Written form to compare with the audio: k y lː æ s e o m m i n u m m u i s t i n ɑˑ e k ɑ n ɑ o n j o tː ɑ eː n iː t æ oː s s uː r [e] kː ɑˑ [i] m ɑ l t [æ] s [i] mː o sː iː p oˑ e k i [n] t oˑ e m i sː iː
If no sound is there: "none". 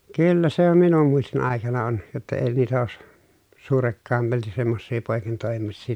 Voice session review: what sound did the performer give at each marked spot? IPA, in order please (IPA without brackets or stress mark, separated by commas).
e, e, i, e, n